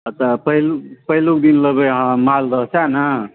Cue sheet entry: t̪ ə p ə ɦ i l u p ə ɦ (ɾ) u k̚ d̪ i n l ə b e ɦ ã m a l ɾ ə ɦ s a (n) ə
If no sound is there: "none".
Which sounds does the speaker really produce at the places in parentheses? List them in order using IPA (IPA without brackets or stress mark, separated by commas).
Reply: l, n